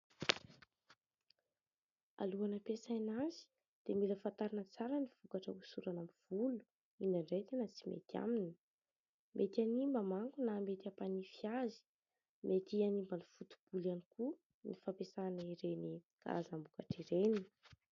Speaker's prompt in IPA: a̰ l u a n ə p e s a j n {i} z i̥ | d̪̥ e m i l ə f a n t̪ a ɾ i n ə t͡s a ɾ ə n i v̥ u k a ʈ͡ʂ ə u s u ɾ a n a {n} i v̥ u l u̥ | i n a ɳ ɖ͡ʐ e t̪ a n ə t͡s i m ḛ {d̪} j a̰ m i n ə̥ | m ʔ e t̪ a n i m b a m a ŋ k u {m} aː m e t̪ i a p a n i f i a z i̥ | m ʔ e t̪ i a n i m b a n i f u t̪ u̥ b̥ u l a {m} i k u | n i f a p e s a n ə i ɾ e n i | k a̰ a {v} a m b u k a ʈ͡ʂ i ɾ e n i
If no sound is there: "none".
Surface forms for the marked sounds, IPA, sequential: a, m, t̪, n, n, z

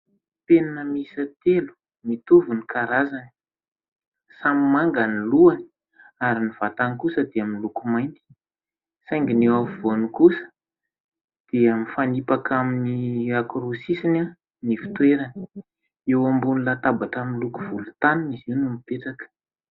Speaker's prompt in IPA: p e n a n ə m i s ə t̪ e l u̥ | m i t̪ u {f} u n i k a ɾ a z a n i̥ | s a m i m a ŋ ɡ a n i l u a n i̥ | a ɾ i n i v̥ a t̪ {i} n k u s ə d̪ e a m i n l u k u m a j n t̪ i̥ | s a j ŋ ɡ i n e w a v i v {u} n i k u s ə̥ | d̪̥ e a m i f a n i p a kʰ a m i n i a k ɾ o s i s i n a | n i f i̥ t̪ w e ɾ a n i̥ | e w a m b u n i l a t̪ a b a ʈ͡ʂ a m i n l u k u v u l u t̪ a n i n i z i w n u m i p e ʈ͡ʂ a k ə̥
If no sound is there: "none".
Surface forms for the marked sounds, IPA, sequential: v, a, o

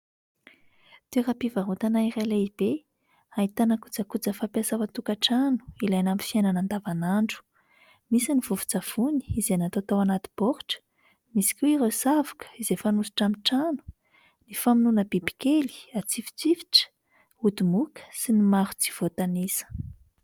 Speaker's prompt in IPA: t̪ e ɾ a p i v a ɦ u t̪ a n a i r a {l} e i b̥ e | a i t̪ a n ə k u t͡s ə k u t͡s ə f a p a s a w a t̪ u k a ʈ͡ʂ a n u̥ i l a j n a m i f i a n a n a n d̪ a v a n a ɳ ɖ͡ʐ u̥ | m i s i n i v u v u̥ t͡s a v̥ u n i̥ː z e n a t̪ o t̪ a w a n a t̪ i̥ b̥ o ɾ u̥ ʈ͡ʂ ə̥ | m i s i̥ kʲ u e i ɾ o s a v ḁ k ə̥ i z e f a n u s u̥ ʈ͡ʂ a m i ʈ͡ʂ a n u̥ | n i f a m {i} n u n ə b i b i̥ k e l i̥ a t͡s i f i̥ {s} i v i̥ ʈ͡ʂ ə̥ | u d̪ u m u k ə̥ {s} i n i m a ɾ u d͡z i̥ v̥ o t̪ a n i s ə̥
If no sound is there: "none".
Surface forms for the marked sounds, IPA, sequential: l, i, t͡s, s

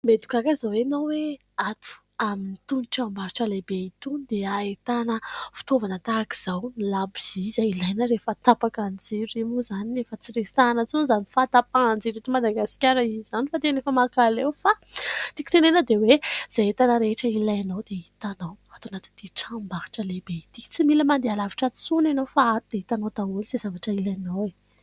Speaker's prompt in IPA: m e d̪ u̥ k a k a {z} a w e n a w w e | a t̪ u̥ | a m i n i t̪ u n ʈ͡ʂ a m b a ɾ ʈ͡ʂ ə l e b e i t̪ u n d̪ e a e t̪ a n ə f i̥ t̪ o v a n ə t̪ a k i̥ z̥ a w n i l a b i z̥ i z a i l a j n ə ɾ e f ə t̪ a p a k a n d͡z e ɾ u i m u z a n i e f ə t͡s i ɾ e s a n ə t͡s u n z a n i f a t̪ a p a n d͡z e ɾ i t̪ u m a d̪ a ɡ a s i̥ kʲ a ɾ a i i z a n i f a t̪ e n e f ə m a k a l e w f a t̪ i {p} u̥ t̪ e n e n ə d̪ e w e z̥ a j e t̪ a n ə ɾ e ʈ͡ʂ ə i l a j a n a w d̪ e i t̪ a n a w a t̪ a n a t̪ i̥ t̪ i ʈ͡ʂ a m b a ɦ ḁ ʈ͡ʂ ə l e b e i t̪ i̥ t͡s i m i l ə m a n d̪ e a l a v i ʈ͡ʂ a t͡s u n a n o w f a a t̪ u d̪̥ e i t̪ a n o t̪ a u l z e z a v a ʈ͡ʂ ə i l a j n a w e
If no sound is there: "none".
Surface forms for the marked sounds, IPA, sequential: z, k

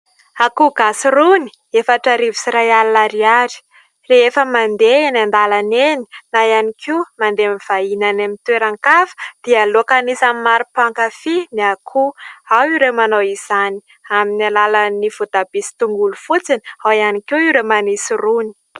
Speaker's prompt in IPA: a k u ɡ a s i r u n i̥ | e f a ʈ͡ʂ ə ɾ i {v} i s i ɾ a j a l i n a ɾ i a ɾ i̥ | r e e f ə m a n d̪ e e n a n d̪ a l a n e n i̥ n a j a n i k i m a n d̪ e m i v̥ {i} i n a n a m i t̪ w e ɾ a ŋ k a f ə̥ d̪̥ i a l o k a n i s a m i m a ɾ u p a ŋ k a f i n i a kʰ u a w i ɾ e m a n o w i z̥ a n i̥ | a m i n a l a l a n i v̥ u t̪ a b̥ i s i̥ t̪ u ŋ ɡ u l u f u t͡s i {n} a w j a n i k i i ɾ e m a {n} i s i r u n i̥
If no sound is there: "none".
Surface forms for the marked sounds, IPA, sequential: v, a, n, n

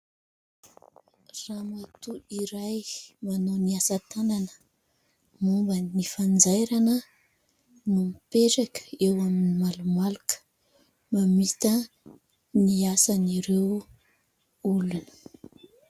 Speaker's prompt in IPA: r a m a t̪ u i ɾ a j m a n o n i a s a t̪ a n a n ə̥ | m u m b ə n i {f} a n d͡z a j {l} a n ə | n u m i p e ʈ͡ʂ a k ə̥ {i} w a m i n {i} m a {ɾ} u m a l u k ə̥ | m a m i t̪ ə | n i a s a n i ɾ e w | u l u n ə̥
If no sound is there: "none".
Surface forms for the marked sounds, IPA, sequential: f, ɾ, e, i, l

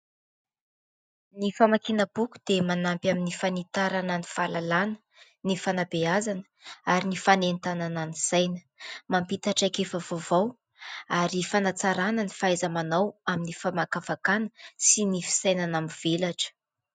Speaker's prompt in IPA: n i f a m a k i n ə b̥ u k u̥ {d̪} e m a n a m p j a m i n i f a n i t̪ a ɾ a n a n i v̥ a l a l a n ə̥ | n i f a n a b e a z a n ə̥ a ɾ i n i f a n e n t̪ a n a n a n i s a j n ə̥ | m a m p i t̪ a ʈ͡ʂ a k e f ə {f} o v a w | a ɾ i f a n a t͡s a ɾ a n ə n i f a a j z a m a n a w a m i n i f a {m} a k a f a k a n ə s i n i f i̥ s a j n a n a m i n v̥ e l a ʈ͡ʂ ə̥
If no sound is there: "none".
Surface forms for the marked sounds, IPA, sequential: d̪, v, m

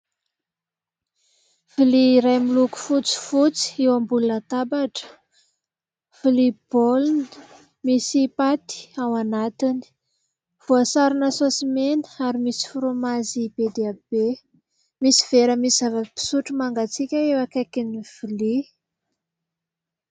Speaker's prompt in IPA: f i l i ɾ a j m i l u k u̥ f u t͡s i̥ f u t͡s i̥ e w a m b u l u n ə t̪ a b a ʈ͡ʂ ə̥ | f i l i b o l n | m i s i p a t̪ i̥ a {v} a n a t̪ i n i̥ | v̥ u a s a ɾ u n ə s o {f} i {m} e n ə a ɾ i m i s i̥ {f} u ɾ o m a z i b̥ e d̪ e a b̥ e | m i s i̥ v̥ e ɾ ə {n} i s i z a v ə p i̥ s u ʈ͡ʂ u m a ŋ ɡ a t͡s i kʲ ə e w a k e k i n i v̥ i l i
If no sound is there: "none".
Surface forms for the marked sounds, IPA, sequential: w, s, m, f, m

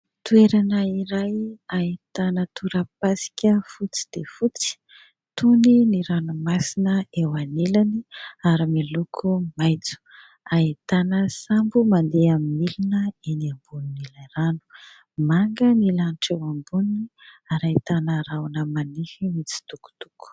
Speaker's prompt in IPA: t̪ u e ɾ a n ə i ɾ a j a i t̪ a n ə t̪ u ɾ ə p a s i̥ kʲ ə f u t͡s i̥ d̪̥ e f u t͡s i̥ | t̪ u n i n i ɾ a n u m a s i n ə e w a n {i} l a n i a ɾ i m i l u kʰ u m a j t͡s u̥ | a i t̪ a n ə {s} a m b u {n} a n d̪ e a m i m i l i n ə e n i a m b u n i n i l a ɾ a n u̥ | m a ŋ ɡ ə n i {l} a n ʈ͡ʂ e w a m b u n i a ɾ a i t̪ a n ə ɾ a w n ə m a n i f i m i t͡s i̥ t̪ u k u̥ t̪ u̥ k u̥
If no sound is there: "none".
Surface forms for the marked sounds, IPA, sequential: e, s, m, l

